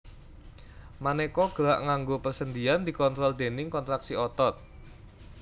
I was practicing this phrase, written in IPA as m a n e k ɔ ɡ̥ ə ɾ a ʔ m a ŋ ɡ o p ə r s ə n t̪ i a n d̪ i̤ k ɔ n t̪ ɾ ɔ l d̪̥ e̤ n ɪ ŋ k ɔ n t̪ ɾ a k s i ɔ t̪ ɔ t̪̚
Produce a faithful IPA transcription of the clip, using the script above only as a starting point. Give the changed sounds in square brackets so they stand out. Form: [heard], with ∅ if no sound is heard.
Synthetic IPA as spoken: m a n e k ɔ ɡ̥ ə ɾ a ʔ [ŋ] a ŋ ɡ o p ə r s ə n [d̪] i a n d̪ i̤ k ɔ n t̪ ɾ ɔ l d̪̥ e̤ n ɪ ŋ k ɔ n t̪ ɾ a k s i ɔ t̪ ɔ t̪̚